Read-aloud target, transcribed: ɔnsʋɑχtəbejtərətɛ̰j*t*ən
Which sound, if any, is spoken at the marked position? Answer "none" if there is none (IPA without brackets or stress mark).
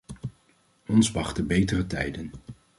d